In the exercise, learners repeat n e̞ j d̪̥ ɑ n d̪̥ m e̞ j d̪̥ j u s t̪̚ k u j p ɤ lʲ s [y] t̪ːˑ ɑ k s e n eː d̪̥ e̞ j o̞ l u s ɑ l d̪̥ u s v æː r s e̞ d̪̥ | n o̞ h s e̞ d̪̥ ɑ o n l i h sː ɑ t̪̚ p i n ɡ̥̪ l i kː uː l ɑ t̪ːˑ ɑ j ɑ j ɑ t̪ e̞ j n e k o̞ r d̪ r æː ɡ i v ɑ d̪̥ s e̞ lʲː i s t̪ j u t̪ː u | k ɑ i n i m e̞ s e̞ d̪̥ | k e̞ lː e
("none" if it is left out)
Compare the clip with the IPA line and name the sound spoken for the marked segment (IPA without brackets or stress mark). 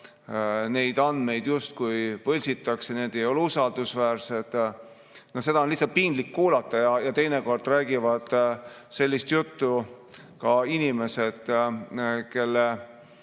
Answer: i